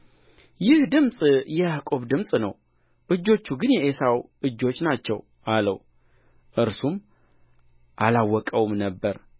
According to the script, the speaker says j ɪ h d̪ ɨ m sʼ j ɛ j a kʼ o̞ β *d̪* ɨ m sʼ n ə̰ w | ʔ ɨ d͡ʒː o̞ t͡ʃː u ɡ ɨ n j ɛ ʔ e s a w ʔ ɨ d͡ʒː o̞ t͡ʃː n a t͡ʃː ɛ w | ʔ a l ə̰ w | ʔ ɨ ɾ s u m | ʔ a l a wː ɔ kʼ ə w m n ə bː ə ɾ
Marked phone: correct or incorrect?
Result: correct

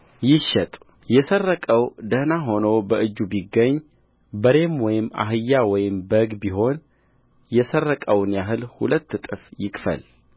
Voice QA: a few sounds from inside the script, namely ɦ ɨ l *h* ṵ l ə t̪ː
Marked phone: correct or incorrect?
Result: correct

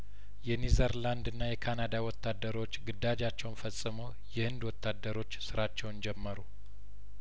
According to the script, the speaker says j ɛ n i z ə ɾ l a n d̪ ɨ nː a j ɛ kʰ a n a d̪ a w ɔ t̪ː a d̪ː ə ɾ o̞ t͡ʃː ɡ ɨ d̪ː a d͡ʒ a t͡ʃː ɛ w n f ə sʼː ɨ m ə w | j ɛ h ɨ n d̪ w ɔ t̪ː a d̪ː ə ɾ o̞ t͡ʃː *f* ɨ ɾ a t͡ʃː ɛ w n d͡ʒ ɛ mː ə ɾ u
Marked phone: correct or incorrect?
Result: incorrect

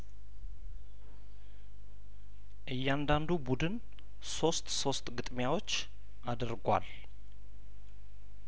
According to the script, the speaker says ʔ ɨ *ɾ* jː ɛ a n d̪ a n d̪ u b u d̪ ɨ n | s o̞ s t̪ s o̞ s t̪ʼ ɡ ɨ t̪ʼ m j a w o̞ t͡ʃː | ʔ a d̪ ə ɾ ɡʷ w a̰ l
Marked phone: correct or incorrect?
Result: incorrect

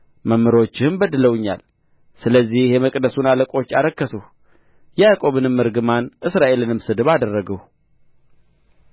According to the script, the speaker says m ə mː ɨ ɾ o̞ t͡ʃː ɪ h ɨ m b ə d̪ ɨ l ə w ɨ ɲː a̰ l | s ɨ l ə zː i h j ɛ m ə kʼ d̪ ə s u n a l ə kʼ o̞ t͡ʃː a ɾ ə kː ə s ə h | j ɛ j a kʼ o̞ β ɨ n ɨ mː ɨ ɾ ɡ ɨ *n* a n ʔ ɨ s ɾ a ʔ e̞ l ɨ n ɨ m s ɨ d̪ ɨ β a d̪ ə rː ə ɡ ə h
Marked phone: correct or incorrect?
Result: incorrect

